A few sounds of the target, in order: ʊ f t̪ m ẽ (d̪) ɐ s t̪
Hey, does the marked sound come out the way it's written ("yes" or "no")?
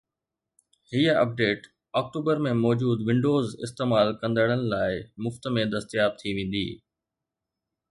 yes